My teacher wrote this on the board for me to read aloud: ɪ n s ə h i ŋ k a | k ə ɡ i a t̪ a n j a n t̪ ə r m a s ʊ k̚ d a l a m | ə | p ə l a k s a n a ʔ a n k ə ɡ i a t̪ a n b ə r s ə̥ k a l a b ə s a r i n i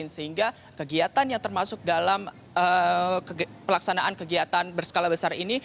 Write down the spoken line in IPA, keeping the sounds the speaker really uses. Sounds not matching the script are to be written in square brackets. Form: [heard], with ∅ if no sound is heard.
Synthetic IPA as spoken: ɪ n s ə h i ŋ [ɡ] a | k ə ɡ i a t̪ a n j a [ŋ] t̪ ə r m a s ʊ k̚ d a l a m | ə | p ə l a k s a n a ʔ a n k ə ɡ i a t̪ a n b ə r s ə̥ k a l a b ə s a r i n i